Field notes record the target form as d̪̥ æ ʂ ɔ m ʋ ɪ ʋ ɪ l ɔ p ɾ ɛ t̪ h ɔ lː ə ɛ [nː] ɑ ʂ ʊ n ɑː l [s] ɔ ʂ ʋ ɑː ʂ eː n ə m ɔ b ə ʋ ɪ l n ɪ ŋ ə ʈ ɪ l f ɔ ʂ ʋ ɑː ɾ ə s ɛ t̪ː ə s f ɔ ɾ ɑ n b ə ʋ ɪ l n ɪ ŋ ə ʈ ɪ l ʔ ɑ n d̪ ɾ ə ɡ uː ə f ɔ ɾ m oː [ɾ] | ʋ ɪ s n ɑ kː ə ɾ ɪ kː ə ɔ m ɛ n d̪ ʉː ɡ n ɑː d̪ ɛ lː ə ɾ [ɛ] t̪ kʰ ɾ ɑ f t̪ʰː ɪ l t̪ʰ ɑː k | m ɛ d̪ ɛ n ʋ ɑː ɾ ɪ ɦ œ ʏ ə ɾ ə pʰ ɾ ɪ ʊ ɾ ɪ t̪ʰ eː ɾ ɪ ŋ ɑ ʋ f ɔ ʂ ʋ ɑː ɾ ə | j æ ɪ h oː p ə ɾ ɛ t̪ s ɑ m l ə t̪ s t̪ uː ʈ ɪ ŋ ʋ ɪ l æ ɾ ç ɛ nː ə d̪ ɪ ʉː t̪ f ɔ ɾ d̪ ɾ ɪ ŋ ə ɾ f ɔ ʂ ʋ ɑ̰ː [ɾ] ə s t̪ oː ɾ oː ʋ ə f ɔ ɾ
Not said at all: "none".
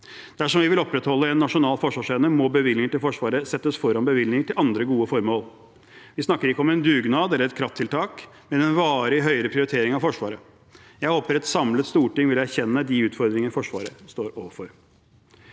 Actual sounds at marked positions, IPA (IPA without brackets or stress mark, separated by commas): nː, f, l, ɛ, ɾ